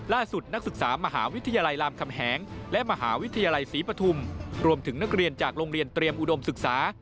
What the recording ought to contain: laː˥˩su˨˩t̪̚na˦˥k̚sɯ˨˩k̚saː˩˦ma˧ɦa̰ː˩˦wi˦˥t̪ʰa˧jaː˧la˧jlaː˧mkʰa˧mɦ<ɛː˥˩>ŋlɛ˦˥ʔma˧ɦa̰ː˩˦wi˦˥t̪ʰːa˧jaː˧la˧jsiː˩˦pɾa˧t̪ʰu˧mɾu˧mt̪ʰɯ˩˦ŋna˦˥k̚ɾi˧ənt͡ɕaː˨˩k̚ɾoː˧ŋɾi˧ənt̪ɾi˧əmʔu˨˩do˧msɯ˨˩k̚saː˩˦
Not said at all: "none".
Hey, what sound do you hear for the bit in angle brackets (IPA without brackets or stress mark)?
ɛː˩˦